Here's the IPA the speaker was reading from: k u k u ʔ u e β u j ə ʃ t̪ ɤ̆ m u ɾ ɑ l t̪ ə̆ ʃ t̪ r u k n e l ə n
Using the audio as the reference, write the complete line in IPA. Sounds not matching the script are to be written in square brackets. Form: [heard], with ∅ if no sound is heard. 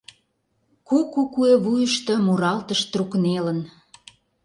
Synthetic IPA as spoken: k u k u [k] u e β u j ə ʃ t̪ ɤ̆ m u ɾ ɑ l t̪ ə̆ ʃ t̪ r u k n e l ə n